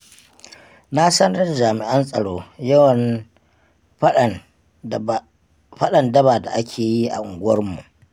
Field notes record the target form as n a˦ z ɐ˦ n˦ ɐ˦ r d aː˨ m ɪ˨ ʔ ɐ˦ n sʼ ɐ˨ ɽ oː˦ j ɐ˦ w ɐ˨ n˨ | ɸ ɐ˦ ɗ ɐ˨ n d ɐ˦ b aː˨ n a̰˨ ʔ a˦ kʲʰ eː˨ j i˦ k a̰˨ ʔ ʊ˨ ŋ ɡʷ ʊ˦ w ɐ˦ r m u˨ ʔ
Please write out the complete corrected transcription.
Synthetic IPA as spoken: n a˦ s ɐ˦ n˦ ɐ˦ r d͡ʒ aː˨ m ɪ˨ ʔ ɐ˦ n sʼ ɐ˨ ɽ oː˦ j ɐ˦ w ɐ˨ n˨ | ɸ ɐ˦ ɗ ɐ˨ n d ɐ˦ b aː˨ d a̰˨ ʔ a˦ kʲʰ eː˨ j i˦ ʔ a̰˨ ʔ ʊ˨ ŋ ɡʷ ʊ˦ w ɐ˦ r m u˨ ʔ

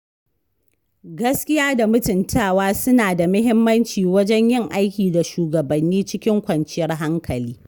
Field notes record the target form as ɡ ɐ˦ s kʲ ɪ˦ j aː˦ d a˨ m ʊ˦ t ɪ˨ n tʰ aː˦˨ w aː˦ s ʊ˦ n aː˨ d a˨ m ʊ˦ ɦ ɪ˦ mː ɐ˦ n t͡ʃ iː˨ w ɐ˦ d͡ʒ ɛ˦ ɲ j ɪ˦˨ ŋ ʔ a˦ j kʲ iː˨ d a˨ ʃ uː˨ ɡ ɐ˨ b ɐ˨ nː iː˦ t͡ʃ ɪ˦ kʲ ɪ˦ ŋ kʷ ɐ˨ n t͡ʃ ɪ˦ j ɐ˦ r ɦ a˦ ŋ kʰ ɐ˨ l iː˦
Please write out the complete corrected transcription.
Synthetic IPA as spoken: ɡ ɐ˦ s kʲ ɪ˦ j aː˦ d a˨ m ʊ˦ t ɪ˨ n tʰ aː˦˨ w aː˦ s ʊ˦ n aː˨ d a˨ m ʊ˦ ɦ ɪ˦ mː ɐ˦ n t͡ʃ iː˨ w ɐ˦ d͡ʒ ɛ˦ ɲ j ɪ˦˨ ŋ ʔ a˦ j kʲ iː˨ d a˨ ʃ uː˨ ɡ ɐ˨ b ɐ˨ nː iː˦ t͡ʃ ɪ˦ kʲ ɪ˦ ŋ kʷ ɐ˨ n t͡ʃ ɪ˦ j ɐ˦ r ɦ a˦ ŋ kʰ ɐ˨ l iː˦

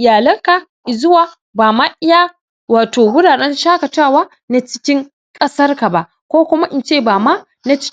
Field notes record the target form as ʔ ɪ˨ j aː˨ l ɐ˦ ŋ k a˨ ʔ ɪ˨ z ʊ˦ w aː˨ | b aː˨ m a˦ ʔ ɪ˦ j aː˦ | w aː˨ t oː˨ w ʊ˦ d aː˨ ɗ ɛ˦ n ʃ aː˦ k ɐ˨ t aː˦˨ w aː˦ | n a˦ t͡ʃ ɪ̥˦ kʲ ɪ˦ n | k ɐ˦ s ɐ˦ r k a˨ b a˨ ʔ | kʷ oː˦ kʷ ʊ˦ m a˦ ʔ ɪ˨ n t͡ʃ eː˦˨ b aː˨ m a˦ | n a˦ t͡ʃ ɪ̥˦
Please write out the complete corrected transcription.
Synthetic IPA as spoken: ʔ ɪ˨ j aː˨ l ɐ˦ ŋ k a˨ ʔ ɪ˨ z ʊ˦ w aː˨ | b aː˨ m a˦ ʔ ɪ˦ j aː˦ | w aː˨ t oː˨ w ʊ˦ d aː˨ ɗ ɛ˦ n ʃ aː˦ k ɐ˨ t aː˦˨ w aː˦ | n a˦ t͡ʃ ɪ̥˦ kʲ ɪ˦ ŋ | kʼ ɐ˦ s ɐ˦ r k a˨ b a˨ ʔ | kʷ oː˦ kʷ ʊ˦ m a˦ ʔ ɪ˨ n t͡ʃ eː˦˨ b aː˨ m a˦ | n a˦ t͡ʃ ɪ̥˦

